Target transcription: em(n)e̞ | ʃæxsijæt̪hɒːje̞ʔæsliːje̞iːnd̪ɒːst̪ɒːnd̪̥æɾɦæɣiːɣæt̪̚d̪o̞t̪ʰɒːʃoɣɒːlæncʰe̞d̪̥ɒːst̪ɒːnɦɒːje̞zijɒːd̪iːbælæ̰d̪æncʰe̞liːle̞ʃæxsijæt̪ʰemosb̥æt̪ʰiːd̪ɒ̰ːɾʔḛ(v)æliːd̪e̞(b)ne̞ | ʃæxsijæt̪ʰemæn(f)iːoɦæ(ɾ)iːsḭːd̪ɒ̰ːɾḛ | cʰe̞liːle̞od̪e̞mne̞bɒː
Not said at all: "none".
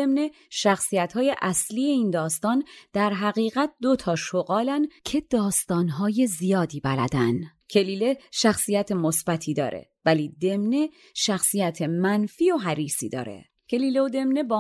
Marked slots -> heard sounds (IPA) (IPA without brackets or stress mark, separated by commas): n, v, m, f, ɾ